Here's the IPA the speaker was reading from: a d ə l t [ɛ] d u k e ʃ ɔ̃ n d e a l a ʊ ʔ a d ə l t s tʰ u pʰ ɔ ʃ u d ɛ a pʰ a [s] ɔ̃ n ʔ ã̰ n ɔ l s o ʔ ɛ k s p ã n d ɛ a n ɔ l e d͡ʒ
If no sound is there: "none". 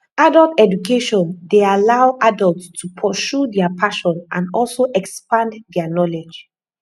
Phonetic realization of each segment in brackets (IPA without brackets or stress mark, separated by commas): ɛ, ʃ